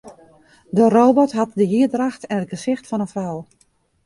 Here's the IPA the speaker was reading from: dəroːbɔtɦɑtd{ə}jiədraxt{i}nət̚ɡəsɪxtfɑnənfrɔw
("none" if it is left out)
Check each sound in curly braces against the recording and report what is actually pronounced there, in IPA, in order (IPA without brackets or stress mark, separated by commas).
ə, ɛ